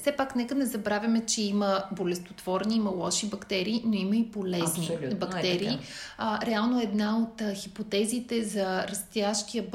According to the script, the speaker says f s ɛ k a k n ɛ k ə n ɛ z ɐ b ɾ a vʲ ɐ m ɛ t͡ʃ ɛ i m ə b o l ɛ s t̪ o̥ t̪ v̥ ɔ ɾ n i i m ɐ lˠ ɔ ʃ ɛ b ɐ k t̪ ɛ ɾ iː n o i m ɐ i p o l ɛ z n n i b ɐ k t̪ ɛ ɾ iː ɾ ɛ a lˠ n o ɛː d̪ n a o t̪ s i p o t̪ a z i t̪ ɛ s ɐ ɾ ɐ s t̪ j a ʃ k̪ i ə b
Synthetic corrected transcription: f s ɛ p a k n ɛ k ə n ɛ z ɐ b ɾ a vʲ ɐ m ɛ t͡ʃ ɛ i m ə b o l ɛ s t̪ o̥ t̪ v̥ ɔ ɾ n i i m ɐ lˠ ɔ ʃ i b ɐ k t̪ ɛ ɾ iː n o i m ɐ i p o l ɛ z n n i b ɐ k t̪ ɛ ɾ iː ɾ ɛ a lˠ n o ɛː d̪ n a o t̪ x i p o t̪ ɛ z i t̪ ɛ z ɐ ɾ ɐ s t̪ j a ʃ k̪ i ə b